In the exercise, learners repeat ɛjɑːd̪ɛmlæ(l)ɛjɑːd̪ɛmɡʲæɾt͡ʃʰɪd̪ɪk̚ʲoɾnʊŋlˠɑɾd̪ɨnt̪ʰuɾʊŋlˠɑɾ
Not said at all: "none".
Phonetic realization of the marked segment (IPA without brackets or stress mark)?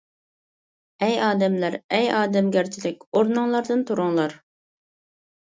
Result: ɾ